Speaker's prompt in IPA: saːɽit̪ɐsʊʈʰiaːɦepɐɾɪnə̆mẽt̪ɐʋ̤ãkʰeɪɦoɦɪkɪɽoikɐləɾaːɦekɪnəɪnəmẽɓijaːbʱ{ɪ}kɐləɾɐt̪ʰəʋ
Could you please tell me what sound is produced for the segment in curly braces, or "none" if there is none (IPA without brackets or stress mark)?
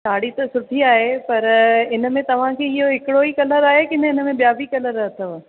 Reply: i